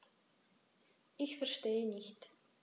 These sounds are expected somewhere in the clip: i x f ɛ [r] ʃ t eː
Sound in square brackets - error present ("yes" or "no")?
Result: no